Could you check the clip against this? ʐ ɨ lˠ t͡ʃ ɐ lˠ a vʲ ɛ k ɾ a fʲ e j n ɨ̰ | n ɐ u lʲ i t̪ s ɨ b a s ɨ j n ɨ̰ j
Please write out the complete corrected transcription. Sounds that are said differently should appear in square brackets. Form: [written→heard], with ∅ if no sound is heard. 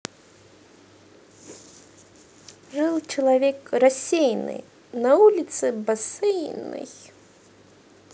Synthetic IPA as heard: ʐ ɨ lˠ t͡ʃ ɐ lˠ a vʲ ɛ k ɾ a [fʲ→sʲ] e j n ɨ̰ | n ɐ u lʲ i t̪ s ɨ b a s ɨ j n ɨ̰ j